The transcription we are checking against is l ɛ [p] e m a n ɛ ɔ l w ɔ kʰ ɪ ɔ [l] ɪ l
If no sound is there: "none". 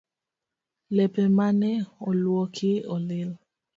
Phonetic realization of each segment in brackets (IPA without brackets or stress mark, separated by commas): p, l